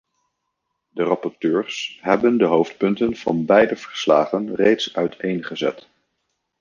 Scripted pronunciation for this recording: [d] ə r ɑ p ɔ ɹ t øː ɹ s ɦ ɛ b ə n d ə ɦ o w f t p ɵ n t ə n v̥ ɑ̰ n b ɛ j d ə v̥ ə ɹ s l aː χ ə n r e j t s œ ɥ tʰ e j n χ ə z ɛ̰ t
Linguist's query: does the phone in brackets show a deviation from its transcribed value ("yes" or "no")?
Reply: no